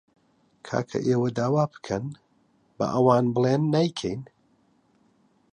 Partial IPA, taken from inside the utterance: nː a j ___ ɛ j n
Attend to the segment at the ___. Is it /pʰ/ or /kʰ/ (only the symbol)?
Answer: kʰ